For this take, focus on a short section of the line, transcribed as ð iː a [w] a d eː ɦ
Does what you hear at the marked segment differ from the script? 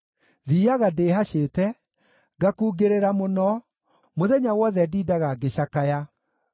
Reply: yes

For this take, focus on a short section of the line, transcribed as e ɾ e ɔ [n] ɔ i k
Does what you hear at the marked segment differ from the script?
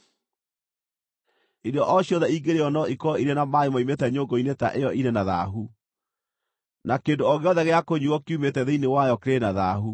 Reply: no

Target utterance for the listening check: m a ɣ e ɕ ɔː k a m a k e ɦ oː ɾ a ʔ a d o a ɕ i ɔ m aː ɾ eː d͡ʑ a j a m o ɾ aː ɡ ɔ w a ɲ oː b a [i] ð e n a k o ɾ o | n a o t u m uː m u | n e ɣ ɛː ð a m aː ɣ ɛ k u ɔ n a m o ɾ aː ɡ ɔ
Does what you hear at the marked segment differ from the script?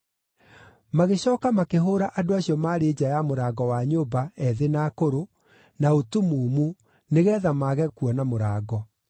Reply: yes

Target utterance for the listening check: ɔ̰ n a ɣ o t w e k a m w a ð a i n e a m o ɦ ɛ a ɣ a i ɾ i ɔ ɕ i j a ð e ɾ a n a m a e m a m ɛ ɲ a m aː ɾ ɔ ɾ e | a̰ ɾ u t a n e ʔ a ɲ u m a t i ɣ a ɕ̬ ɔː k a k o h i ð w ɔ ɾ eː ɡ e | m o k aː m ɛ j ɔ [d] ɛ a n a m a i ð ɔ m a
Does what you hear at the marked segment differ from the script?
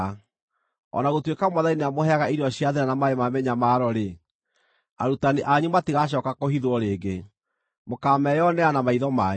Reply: yes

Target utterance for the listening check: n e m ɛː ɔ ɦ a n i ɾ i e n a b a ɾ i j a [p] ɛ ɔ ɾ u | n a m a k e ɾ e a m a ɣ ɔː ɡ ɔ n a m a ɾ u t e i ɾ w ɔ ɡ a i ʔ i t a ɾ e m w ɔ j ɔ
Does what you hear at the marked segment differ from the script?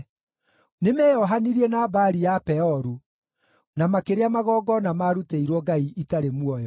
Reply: no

